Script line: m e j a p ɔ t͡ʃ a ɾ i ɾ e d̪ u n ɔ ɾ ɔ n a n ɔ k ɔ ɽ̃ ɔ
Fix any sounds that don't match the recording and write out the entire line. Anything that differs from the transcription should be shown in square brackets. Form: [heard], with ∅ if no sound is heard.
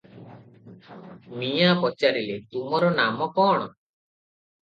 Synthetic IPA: m [i] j a p ɔ t͡ʃ a ɾ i [l] e [t̪] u [m] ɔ ɾ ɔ n a [m] ɔ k ɔ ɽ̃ ɔ